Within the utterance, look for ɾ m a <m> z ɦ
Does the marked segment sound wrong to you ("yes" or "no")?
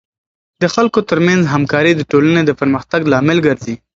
yes